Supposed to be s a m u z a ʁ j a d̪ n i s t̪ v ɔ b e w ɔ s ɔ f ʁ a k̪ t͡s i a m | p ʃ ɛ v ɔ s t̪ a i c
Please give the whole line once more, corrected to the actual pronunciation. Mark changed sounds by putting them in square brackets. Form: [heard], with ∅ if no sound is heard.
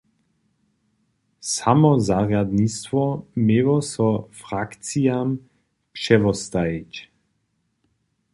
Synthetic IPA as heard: s a m [ɔ] z a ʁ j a d̪ n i s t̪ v ɔ [m] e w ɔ s ɔ f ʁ a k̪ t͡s i a m | p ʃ ɛ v ɔ s t̪ a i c